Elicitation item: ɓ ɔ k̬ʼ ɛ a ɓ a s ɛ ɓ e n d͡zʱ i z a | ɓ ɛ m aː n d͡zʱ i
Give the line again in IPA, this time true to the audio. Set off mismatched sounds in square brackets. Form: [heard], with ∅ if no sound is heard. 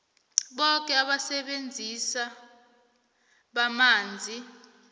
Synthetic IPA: ɓ ɔ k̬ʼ ɛ a ɓ a s ɛ ɓ e n d͡zʱ i [s] a | ɓ [a] m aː n d͡zʱ i